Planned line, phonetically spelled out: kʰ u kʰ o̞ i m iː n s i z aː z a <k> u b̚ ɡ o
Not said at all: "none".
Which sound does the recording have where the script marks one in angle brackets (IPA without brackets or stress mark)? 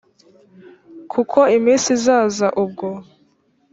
ʔ